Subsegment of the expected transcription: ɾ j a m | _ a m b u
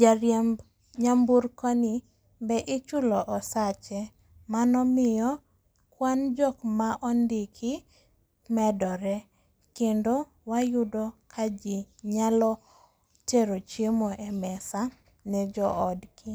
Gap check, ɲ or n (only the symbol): ɲ